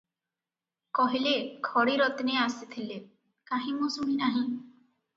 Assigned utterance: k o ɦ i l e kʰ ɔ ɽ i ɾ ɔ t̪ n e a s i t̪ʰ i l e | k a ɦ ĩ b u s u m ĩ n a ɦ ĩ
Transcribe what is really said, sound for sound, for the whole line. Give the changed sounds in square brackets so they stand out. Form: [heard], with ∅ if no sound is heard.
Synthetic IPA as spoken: k [ɔ] ɦ i l e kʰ ɔ ɽ i ɾ ɔ t̪ n e a s i t̪ʰ i l e | k a ɦ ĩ [m] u s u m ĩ n a ɦ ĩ

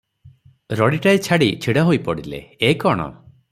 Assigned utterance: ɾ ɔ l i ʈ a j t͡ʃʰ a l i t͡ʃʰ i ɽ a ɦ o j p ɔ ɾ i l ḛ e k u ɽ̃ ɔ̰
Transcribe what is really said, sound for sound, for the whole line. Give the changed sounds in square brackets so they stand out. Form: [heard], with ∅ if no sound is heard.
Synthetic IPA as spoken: ɾ ɔ [ɽ] i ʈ a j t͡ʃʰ a [ɽ] i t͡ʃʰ i ɽ a ɦ o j p ɔ [ɽ] i l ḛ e k [ɔ] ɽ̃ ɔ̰

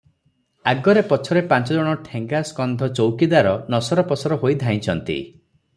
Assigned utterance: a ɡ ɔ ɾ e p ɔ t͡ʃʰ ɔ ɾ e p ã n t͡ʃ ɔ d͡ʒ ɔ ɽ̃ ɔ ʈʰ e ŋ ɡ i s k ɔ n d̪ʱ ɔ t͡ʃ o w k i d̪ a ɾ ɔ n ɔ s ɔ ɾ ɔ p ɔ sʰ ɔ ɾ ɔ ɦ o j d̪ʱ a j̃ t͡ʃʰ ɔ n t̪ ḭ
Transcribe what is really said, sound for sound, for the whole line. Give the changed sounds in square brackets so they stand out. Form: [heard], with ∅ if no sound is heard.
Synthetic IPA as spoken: a ɡ ɔ ɾ e p ɔ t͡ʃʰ ɔ ɾ e p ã n t͡ʃ ɔ d͡ʒ ɔ ɽ̃ ɔ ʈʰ e ŋ ɡ [a] s k ɔ n d̪ʱ ɔ t͡ʃ o w k i d̪ a ɾ ɔ n ɔ s ɔ ɾ ɔ p ɔ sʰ ɔ ɾ ɔ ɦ o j d̪ʱ a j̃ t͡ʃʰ ɔ n t̪ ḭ

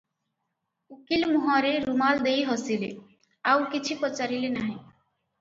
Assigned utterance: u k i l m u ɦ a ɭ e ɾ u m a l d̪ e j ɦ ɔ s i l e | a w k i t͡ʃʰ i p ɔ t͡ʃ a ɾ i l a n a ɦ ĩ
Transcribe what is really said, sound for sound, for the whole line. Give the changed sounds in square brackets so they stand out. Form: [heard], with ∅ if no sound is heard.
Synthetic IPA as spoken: u k i l m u ɦ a [ɾ] e ɾ u m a l d̪ e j ɦ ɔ s i l e | a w k i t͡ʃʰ i p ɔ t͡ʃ a ɾ i l [e] n a ɦ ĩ

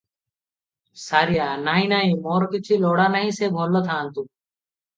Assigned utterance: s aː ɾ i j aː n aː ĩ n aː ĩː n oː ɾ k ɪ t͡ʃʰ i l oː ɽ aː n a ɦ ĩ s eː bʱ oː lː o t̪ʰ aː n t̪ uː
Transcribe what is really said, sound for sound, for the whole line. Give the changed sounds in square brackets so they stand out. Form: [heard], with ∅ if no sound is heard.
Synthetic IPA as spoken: s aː ɾ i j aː n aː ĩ n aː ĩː [m] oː ɾ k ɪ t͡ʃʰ i l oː ɽ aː n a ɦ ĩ s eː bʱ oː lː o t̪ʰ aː n t̪ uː

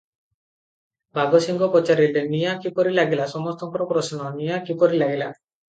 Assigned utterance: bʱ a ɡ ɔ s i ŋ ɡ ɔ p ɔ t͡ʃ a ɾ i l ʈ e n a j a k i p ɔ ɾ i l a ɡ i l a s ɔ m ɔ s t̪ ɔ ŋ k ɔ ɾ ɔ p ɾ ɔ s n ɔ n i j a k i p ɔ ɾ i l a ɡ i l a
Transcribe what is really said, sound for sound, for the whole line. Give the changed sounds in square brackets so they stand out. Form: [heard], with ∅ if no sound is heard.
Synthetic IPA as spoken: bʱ a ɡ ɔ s i ŋ ɡ ɔ p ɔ t͡ʃ a ɾ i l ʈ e n [i] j a k i p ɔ ɾ i l a ɡ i l a s ɔ m ɔ s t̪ ɔ ŋ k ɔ ɾ ɔ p ɾ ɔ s n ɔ n i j a k i p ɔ ɾ i l a ɡ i l a

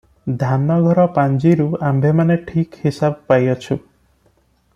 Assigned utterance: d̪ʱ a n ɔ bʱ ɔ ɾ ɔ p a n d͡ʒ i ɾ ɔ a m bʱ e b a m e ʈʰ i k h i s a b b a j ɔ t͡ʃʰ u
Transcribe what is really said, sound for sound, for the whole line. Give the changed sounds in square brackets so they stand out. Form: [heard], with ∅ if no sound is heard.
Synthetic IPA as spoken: d̪ʱ a n ɔ [ɡʱ] ɔ ɾ ɔ p a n d͡ʒ i ɾ [u] a m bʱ e [m] a [n] e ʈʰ i k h i s a b [p] a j ɔ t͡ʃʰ u

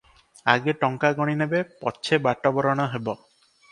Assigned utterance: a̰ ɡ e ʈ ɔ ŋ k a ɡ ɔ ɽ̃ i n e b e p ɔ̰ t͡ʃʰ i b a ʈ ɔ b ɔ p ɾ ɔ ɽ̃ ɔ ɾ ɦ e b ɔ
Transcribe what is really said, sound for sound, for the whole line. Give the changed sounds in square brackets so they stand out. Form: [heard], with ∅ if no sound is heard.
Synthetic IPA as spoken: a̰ ɡ e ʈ ɔ ŋ k a ɡ ɔ ɽ̃ i n e b e p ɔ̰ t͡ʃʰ [e] b a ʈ ɔ b ɔ [∅] ɾ ɔ ɽ̃ ɔ [∅] ɦ e b ɔ

